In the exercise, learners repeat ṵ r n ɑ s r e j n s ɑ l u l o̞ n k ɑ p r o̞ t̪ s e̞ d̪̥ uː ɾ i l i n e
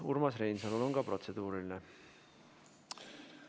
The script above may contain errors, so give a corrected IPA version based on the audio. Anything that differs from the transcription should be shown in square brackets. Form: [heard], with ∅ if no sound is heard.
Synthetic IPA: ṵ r [m] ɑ s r e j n s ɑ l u l o̞ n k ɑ p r o̞ t̪ s e̞ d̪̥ uː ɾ i l i n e